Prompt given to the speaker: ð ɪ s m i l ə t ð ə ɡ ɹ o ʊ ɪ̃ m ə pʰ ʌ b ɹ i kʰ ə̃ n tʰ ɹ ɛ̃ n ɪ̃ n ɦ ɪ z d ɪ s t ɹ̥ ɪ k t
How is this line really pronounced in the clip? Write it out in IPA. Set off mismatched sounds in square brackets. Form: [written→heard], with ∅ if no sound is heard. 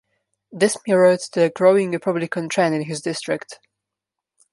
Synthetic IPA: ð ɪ s m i [l→ɹ] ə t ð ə ɡ ɹ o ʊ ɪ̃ [m→ŋ] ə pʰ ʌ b [ɹ→l] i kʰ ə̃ n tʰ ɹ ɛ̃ n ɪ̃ n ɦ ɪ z d ɪ s t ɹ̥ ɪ k t

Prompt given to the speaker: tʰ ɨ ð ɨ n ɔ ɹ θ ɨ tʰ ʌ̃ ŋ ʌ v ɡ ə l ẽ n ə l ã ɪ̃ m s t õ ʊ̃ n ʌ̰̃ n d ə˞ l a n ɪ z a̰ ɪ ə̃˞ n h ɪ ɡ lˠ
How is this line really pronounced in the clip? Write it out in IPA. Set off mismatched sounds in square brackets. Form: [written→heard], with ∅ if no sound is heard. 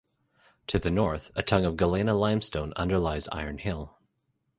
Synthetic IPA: tʰ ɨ ð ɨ n ɔ ɹ θ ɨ tʰ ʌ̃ ŋ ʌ v ɡ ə l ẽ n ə l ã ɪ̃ m s t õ ʊ̃ n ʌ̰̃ n d ə˞ l a [n→∅] ɪ z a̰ ɪ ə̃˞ n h ɪ [ɡ→∅] lˠ

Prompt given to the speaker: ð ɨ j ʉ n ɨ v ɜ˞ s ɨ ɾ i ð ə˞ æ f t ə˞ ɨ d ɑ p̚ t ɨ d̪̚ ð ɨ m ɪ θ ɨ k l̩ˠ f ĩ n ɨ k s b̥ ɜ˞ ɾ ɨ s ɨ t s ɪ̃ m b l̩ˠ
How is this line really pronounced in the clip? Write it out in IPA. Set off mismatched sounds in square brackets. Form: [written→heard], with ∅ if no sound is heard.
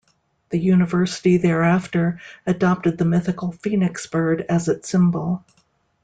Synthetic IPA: ð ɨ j ʉ n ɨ v ɜ˞ s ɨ ɾ i ð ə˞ æ f t ə˞ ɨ d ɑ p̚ t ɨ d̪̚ ð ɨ m ɪ θ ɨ k l̩ˠ f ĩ n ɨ k s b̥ ɜ˞ ɾ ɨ [s→z] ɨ t s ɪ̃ m b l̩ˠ

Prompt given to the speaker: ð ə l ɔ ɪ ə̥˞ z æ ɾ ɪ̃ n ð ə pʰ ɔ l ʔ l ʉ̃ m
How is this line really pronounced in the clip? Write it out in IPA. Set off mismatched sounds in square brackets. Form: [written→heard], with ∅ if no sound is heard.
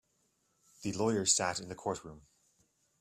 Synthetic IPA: ð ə l ɔ ɪ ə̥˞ [z→s] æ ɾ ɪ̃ n ð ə [pʰ→kʰ] ɔ [l→ɹ] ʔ [l→ɹ] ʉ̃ m

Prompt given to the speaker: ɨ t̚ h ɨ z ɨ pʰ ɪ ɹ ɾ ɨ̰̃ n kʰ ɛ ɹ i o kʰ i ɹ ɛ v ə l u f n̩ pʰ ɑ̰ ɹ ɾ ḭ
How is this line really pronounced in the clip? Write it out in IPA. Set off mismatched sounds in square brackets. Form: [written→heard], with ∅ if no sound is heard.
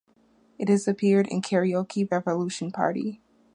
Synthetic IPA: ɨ t̚ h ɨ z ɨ pʰ ɪ ɹ ɾ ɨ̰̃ n kʰ ɛ ɹ i o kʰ i ɹ ɛ v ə l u [f→ʃ] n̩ pʰ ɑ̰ ɹ ɾ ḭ

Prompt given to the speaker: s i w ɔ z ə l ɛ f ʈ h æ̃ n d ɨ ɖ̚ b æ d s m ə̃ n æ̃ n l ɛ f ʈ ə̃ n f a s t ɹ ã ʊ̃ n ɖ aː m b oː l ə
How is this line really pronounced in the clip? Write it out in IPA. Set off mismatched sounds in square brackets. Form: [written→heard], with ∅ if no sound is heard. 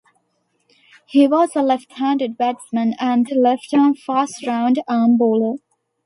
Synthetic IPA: [s→h] i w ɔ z ə l ɛ f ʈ h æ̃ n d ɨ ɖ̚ b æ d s m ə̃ n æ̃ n l ɛ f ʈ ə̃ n f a s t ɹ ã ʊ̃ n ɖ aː m b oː l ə

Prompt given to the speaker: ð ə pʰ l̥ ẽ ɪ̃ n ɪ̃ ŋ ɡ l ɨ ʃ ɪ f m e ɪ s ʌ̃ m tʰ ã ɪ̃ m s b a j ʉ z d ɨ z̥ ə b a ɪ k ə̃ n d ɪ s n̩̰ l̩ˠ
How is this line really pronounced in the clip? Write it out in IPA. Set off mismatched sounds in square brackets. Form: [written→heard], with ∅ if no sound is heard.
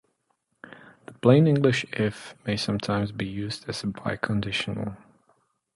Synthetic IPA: ð ə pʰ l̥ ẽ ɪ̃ n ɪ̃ ŋ ɡ l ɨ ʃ ɪ f m e ɪ s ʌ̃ m tʰ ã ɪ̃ m [s→z] b [a→i] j ʉ z d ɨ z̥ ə b a ɪ [k→kʰ] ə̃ n d ɪ [s→ʃ] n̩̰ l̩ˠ

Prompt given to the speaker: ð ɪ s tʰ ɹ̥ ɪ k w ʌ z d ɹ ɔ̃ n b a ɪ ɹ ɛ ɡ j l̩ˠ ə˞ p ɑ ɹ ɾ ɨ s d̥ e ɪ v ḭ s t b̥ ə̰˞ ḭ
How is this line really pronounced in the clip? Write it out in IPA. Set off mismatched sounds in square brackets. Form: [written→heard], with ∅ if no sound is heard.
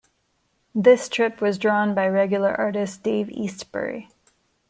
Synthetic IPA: ð ɪ s tʰ ɹ̥ ɪ [k→p] w ʌ z d ɹ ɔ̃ n b a ɪ ɹ ɛ ɡ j l̩ˠ ə˞ [p→ʔ] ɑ ɹ ɾ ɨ s d̥ e ɪ v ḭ s t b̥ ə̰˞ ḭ

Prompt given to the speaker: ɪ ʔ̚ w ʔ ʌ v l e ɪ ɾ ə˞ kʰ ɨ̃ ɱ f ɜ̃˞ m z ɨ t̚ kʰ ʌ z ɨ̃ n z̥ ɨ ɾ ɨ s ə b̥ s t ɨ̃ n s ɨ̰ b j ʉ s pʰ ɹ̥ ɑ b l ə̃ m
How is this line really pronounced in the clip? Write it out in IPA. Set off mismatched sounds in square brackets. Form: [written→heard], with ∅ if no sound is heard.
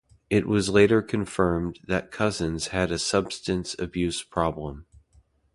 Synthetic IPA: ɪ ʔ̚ w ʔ ʌ [v→z] l e ɪ ɾ ə˞ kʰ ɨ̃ ɱ f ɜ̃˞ m [z→ð] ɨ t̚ kʰ ʌ z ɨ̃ n z̥ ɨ ɾ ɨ s [ə→ʌ] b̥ s t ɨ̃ n s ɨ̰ b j ʉ s pʰ ɹ̥ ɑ b l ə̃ m

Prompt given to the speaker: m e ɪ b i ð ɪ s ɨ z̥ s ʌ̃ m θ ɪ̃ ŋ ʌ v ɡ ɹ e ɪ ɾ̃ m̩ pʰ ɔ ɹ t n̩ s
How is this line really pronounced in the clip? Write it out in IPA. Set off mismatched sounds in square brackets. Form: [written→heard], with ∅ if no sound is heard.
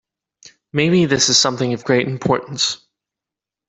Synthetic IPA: m e ɪ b i ð ɪ s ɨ z̥ s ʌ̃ m θ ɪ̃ ŋ ʌ v ɡ ɹ e ɪ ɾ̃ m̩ pʰ ɔ ɹ [t→ʔ] n̩ s

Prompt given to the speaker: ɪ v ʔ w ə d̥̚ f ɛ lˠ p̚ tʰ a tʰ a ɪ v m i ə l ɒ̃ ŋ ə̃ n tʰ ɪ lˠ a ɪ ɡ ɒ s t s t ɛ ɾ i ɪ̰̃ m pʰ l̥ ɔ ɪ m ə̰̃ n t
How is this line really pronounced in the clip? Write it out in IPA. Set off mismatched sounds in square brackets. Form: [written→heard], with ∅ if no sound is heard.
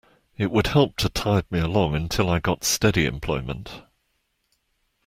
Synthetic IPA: ɪ [v→∅] ʔ w ə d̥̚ [f→h] ɛ lˠ p̚ tʰ [a→ə] tʰ a ɪ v m i ə l ɒ̃ ŋ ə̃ n tʰ ɪ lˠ a ɪ ɡ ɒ [s→∅] t s t ɛ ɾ i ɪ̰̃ m pʰ l̥ ɔ ɪ m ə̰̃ n t

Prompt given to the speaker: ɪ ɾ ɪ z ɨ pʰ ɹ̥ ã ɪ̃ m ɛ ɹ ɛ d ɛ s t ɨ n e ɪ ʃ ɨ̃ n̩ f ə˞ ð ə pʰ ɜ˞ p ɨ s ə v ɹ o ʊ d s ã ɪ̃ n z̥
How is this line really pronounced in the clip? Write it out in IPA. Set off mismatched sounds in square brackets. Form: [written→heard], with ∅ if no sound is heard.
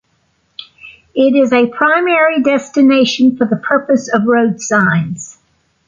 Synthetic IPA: ɪ ɾ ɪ z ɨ pʰ ɹ̥ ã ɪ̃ m ɛ ɹ [ɛ→i] d ɛ s t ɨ n e ɪ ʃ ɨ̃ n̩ f ə˞ ð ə pʰ ɜ˞ p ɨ s [ə→ʌ] v ɹ o ʊ d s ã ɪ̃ n z̥

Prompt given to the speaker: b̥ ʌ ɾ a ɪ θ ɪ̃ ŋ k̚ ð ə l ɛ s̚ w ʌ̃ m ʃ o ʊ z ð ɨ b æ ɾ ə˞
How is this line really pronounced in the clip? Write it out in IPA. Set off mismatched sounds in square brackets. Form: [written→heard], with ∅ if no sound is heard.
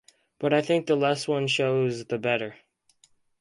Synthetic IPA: b̥ ʌ ɾ a ɪ θ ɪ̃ ŋ k̚ ð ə l ɛ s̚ w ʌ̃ [m→n] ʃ o ʊ z ð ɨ b [æ→ɛ] ɾ ə˞

